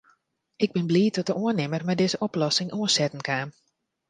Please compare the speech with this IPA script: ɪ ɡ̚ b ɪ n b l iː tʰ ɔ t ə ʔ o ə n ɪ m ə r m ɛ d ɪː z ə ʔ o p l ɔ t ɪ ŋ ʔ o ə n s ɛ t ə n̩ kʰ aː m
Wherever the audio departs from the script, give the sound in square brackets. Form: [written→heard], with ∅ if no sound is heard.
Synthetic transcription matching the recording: ɪ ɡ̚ b ɪ n b l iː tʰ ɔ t ə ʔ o ə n ɪ m ə r m ɛ d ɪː z ə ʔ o p l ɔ [t→s] ɪ ŋ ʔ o ə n s ɛ t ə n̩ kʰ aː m